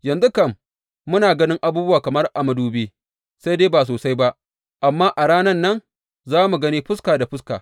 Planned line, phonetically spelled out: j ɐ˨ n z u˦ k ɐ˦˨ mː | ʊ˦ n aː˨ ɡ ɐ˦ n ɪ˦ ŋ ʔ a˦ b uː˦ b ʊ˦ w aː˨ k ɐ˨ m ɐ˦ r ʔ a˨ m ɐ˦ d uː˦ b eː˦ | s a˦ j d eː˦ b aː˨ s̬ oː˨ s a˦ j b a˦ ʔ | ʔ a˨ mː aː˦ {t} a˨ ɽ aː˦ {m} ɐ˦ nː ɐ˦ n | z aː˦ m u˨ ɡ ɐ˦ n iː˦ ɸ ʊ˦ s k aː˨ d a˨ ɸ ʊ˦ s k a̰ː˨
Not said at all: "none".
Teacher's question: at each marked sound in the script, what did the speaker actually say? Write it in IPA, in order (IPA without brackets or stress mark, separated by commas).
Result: ʔ, n